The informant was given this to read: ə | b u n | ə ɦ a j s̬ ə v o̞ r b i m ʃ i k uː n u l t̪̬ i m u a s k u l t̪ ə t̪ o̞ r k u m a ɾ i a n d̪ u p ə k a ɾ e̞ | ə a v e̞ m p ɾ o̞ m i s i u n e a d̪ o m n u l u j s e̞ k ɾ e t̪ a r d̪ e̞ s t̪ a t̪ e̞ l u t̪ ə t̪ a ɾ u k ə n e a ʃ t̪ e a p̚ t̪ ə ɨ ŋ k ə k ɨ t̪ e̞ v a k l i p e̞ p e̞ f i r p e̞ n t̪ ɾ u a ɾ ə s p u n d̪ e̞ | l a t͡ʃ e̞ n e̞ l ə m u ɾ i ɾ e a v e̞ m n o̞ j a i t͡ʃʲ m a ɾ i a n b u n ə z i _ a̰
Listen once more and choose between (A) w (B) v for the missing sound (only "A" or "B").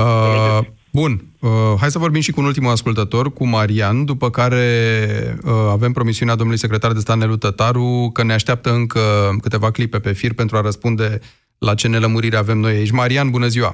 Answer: A